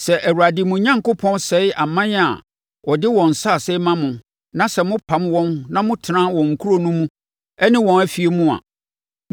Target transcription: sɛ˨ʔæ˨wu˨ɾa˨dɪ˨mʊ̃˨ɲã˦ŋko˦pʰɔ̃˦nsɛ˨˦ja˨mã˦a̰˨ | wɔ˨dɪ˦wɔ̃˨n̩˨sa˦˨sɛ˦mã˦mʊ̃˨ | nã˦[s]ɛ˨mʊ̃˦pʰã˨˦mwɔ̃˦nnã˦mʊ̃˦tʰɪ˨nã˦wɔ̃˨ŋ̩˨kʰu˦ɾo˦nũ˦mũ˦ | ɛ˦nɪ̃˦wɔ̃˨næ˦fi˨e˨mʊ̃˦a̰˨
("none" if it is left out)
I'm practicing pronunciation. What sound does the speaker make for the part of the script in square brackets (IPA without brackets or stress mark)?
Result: s